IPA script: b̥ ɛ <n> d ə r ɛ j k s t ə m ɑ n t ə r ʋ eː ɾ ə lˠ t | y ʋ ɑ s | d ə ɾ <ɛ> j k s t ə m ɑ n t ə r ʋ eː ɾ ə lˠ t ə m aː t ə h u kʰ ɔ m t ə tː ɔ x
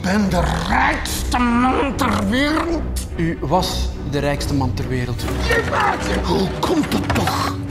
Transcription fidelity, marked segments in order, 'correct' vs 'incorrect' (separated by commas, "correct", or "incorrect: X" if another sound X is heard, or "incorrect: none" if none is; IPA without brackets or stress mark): correct, correct